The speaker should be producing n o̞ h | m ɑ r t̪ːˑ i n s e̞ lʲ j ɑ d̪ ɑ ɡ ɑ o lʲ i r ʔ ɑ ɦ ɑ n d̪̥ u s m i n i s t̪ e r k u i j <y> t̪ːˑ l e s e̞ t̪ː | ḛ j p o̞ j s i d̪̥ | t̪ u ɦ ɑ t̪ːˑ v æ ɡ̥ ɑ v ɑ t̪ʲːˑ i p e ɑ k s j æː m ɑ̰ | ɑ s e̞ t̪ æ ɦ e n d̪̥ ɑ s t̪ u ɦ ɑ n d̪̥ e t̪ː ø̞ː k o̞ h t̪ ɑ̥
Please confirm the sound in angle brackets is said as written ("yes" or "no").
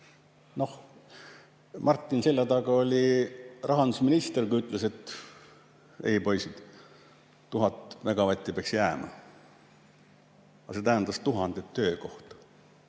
yes